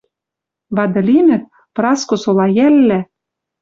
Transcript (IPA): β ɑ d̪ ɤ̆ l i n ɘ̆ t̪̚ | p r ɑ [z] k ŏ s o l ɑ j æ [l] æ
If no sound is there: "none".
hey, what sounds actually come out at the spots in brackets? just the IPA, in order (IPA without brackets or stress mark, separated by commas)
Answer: s, lː